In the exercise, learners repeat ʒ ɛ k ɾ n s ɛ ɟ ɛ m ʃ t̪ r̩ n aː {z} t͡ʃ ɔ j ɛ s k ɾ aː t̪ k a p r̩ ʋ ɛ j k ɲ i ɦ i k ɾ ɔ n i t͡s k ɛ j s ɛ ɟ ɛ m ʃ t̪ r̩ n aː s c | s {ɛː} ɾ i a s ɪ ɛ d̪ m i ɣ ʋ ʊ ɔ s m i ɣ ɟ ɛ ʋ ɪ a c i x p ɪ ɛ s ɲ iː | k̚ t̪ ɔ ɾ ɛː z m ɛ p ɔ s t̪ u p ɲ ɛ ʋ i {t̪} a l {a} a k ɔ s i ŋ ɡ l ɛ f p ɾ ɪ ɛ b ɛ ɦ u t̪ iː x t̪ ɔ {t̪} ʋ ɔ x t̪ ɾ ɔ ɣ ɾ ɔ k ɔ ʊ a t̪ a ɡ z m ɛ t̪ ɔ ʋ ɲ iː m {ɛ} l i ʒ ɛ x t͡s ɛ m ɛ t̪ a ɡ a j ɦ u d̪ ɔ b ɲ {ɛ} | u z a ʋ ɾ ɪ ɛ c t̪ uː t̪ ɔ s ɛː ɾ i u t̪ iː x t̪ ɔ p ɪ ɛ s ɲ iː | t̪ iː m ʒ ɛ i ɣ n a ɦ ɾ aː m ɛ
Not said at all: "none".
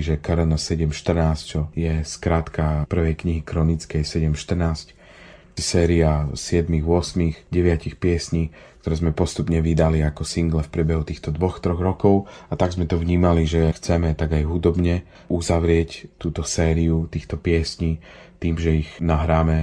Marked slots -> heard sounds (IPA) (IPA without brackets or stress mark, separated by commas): s, ɛː, d̪, i, d̪, a, ɛ